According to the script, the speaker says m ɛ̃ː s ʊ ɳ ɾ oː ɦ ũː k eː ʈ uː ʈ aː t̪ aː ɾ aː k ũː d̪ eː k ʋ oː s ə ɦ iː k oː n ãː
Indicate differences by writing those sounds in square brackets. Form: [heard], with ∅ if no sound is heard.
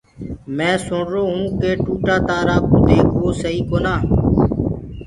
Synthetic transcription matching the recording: m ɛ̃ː s ʊ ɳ ɾ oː ɦ ũː k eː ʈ uː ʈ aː t̪ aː ɾ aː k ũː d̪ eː k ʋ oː s ə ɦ iː k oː n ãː